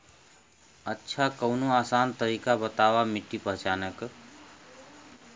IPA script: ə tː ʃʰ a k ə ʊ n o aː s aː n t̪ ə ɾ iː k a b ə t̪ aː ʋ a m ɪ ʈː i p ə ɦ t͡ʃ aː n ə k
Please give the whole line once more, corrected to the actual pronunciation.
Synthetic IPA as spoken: ə tː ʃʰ a k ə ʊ n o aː s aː n t̪ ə ɾ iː k a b ə t̪ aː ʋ a m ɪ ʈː i p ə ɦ t͡ʃ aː n ə k

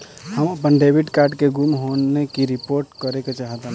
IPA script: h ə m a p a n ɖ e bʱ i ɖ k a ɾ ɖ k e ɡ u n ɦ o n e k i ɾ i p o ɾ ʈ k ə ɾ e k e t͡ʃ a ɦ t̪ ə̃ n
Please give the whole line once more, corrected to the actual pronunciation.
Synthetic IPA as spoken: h ə m ə p ə n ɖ e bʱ i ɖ k a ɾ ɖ k e ɡ u m ɦ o n e k i ɾ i p o ɾ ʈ k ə ɾ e k e t͡ʃ a ɦ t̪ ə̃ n

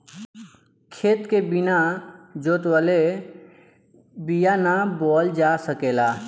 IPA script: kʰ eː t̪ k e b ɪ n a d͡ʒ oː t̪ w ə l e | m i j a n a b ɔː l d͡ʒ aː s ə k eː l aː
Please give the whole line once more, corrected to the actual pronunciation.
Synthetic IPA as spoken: kʰ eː t̪ k e b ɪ n a d͡ʒ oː t̪ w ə l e | b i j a n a b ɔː l d͡ʒ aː s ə k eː l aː

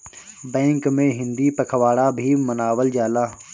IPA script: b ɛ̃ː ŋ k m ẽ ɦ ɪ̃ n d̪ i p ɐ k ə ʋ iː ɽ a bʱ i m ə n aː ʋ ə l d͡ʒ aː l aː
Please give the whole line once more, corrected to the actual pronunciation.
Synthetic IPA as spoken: b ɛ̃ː ŋ k m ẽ ɦ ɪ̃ n d̪ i p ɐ kʰ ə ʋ aː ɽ a bʱ i m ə n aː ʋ ə l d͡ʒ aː l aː

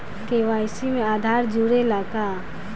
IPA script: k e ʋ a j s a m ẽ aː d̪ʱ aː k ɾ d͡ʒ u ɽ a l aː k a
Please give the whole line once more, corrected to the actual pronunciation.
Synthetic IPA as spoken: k e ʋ a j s i m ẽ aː d̪ʱ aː ɾ d͡ʒ u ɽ e l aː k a

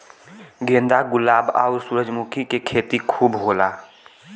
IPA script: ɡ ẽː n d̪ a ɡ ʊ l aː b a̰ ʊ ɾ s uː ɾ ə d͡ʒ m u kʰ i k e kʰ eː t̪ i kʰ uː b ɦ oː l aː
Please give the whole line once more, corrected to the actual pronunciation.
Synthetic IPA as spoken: ɡ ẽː n d̪ a ɡ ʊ l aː b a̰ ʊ ɾ s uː ɾ ə d͡ʒ m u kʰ i k e kʰ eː t̪ i kʰ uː b ɦ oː l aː

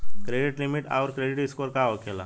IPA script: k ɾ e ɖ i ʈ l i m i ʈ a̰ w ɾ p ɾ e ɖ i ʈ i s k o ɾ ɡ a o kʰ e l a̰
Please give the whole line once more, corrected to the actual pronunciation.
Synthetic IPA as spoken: k ɾ e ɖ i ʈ l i m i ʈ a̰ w ɾ k ɾ e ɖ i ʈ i s k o ɾ k a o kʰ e l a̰

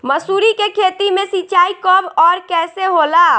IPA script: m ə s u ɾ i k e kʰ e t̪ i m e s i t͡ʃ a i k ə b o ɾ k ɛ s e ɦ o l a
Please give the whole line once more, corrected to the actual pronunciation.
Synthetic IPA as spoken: m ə s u ɾ i k e kʰ e t̪ i m e s i t͡ʃ a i k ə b ɔ ɾ k ɛ s e ɦ o l a

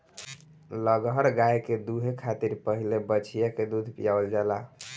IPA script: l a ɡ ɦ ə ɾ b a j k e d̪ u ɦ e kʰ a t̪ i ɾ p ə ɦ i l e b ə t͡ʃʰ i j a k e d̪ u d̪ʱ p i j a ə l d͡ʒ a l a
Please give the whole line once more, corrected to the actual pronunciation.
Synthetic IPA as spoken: l ə ɡ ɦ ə ɾ ɡ a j k e d̪ u ɦ e kʰ a t̪ i ɾ p ə ɦ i l e b ə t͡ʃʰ i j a k e d̪ u d̪ʱ p i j a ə l d͡ʒ a l a

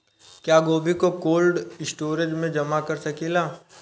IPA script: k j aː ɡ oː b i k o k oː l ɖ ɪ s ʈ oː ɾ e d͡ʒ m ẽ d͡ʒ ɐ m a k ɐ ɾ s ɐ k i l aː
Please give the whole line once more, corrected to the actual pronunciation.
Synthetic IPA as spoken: k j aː ɡ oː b i k o k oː l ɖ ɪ s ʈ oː ɾ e d͡ʒ m ẽ d͡ʒ ɐ m a k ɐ ɾ s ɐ k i l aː

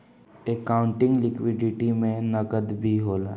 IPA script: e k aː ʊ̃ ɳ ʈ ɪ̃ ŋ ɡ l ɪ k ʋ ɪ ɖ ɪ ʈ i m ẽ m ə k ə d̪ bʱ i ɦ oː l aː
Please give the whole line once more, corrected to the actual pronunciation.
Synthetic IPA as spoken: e k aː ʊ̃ ɳ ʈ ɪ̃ ŋ ɡ l ɪ k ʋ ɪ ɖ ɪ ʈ i m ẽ n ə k ə d̪ bʱ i ɦ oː l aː

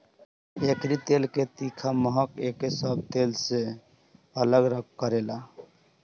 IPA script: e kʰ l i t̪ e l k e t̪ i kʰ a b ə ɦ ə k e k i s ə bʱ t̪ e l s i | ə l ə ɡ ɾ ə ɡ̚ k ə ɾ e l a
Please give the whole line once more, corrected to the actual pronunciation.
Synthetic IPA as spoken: e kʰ ɾ i t̪ e l k e t̪ i kʰ a m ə ɦ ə k e k e s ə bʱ t̪ e l s e | ə l ə ɡ ɾ ə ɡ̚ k ə ɾ e l a

